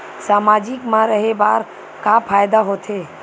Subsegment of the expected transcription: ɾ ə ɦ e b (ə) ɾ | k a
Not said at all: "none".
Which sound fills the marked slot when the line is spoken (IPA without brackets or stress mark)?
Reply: a